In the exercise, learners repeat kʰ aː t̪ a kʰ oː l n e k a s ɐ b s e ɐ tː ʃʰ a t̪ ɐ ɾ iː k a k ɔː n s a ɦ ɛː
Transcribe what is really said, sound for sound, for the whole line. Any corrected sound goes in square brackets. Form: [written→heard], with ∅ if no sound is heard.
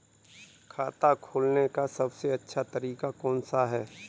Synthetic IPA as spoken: kʰ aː t̪ a kʰ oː l n e k a s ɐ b s e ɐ tː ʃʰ a t̪ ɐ ɾ iː k a k ɔː n s a ɦ ɛː